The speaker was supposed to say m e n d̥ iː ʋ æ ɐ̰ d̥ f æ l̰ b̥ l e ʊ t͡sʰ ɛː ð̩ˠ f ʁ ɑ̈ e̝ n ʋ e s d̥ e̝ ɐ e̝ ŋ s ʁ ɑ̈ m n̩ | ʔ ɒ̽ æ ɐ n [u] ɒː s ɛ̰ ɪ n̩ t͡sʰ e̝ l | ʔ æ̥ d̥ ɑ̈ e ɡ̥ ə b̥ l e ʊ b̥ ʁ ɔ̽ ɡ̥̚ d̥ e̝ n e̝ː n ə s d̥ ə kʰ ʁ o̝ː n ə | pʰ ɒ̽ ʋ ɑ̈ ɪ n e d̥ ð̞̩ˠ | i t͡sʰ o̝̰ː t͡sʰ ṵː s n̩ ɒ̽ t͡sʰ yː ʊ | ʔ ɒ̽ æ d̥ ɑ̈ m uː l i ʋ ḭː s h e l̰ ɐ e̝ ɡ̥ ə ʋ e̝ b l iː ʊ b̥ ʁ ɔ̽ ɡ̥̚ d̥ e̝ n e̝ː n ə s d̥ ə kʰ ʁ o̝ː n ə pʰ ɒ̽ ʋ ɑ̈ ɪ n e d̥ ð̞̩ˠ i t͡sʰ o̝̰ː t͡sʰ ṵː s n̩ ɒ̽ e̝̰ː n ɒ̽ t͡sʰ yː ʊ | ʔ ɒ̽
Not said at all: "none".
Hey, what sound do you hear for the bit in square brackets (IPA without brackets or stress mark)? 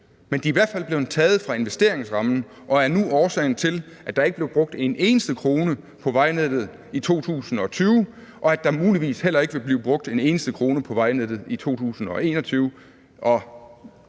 u